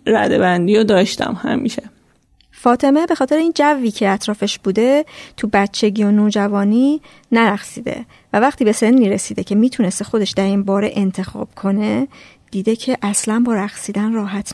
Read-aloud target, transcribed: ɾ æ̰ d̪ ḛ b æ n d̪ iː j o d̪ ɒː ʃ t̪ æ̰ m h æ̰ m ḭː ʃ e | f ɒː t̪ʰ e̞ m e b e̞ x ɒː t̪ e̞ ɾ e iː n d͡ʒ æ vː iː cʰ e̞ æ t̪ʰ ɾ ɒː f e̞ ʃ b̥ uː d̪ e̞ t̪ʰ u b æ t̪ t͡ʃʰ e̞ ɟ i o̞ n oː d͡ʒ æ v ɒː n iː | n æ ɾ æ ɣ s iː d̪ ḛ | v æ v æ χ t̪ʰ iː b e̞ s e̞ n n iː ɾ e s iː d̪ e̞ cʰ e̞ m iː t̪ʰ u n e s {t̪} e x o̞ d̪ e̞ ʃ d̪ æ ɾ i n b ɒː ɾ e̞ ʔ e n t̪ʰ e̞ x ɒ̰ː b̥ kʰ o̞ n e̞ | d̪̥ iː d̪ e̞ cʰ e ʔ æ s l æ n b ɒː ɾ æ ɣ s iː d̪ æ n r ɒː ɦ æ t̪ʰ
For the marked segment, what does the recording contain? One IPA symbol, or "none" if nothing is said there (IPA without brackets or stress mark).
t̪